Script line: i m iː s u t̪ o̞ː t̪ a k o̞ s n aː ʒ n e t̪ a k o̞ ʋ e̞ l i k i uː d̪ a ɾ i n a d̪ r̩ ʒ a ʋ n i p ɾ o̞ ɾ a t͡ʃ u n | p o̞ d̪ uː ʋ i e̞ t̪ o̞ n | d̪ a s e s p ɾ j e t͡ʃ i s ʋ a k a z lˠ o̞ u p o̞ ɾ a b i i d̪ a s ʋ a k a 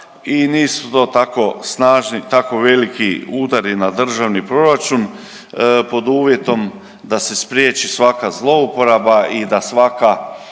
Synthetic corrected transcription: i n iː s u t̪ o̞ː t̪ a k o̞ s n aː ʒ n i t̪ a k o̞ ʋ e̞ l i k i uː d̪ a ɾ i n a d̪ r̩ ʒ a ʋ n i p ɾ o̞ ɾ a t͡ʃ u n | p o̞ d̪ uː ʋ j e̞ t̪ o̞ m | d̪ a s e s p ɾ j e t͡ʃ i s ʋ a k a z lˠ o̞ u p o̞ ɾ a b a i d̪ a s ʋ a k a